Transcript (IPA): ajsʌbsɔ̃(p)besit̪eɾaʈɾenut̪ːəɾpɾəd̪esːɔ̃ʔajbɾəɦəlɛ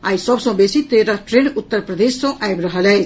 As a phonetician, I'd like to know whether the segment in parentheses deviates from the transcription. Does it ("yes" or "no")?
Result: yes